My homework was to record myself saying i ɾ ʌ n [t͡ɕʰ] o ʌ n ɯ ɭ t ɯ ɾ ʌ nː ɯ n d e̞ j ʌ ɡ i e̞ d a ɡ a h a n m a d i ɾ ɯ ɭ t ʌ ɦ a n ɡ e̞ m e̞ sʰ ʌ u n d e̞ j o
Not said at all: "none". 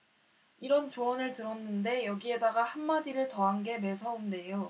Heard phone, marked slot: t͡ɕ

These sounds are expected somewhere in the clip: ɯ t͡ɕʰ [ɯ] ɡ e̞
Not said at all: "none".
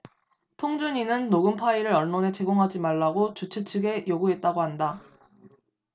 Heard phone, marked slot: ɯ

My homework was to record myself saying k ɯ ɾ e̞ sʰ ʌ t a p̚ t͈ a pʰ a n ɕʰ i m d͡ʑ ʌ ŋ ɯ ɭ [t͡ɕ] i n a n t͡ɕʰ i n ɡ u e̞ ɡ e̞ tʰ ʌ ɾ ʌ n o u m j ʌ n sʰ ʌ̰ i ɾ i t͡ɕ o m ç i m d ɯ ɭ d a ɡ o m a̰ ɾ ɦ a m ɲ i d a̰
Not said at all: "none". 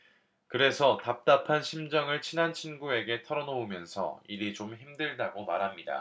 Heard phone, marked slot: t͡ɕʰ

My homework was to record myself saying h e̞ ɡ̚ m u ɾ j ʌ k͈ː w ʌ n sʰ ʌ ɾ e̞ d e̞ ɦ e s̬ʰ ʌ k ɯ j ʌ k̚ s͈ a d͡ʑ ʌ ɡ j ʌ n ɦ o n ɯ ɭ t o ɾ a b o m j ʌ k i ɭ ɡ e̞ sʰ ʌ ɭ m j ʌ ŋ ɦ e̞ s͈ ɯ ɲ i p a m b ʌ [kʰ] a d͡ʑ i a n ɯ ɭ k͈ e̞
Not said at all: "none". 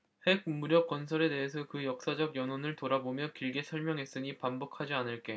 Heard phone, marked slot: kʰ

